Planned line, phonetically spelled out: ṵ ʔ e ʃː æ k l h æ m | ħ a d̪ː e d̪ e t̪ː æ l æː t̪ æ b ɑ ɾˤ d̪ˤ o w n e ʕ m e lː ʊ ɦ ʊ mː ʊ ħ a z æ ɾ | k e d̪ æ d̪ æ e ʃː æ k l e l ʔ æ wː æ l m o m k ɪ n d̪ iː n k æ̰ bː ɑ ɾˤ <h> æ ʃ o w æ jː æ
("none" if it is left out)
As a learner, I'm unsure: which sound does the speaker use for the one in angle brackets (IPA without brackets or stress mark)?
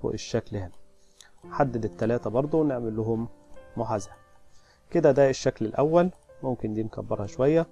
h